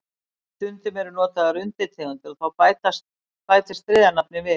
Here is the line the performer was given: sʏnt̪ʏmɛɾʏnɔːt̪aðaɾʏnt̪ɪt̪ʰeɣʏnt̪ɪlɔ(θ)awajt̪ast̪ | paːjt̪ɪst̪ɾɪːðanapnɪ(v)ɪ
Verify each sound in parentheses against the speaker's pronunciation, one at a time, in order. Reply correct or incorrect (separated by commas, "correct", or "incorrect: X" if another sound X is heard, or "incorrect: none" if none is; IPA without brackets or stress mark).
correct, correct